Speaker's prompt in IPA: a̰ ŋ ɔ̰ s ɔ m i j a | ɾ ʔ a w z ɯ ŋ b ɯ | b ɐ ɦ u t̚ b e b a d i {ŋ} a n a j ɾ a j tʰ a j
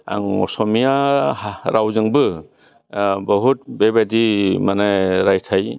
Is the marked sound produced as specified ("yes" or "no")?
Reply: no